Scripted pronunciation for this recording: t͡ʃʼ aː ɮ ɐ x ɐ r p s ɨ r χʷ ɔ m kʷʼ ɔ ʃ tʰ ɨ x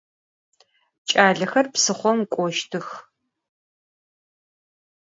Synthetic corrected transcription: t͡ʃʼ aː ɮ ɐ x ɐ r p s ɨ χʷ ɔ m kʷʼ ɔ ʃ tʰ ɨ x

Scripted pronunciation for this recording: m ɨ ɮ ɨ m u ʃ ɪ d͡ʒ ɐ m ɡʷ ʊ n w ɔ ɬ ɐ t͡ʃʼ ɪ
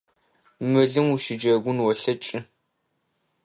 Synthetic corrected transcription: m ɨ ɮ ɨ m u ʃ ɪ d͡ʒ ɐ ɡʷ ʊ n w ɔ ɬ ɐ t͡ʃʼ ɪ

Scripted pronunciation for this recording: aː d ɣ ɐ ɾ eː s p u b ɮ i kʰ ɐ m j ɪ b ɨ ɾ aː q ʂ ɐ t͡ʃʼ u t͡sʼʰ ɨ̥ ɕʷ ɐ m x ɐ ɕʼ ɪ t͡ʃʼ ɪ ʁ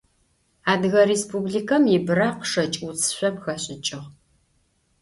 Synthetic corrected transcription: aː d ɣ ɐ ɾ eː s p u b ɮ i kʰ ɐ m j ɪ b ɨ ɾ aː q ʂ ɐ t͡ʃʼ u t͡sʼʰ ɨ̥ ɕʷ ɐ m x ɐ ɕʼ ɪ t͡ʃʼ ɪ ʁ

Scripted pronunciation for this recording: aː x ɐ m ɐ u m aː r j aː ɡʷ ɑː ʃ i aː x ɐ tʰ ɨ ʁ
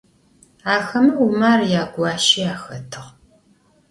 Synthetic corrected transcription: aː x ɐ m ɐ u m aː r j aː ɡʷ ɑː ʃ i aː x ɐ tʰ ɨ ʁ

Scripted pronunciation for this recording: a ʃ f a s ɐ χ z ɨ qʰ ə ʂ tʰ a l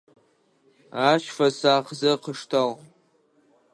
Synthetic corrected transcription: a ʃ f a s a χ z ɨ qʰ ə ʂ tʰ a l

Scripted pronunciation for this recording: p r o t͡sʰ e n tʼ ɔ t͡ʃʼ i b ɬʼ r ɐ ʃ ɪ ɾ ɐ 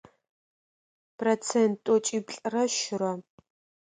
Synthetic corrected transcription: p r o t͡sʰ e n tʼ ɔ t͡ʃʼ i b ɬʼ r ɐ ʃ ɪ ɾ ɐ

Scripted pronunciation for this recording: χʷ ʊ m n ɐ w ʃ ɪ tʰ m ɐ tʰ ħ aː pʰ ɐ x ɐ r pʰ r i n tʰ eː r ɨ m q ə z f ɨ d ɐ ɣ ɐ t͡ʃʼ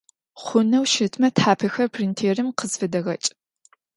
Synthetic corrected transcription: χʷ ʊ n ɐ w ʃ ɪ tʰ m ɐ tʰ ħ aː pʰ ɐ x ɐ r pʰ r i n tʰ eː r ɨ m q ə z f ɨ d ɐ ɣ ɐ t͡ʃʼ

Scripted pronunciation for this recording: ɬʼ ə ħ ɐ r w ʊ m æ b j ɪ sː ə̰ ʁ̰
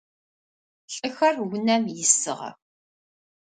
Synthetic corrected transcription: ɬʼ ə x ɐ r w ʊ n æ m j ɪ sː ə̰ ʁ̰

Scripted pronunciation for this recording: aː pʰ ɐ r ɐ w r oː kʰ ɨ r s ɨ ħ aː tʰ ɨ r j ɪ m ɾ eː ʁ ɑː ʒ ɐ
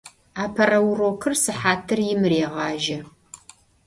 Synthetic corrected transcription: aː pʰ ɐ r ɐ w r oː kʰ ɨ r s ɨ ħ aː tʰ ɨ r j ɪ m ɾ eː ʁ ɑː ʒ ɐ

